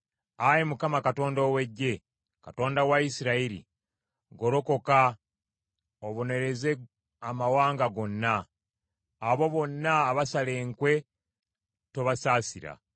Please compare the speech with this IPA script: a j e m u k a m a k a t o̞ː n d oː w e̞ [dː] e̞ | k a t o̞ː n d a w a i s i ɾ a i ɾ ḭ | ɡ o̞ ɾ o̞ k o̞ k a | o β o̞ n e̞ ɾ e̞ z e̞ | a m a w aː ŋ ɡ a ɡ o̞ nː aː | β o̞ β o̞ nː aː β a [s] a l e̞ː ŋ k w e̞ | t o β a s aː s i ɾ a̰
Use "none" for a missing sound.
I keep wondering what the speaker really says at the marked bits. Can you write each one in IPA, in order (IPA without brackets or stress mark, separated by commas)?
ɟː, s